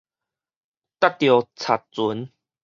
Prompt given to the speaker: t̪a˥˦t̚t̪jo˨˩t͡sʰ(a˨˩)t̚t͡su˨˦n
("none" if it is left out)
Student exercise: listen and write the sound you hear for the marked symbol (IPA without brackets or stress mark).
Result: a˨˩